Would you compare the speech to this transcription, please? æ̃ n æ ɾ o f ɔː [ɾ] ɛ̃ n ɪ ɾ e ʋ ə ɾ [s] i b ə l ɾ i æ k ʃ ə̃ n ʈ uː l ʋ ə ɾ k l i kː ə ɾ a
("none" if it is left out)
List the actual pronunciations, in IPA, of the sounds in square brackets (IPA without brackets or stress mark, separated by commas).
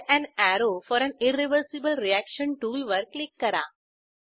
ɾ, s